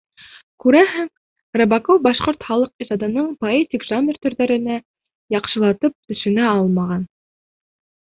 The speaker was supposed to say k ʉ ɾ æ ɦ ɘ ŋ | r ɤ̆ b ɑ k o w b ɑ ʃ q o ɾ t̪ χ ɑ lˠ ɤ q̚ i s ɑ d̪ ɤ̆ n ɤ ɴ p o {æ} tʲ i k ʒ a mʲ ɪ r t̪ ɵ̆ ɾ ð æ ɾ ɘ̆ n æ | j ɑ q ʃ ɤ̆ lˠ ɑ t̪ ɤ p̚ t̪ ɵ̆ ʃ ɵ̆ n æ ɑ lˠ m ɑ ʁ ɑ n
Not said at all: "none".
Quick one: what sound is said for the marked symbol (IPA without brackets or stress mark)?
e